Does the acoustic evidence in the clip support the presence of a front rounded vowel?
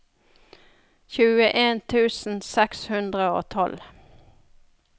no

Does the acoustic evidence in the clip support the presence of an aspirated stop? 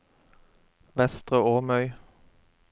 no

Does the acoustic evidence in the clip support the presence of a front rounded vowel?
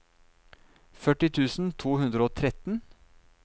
yes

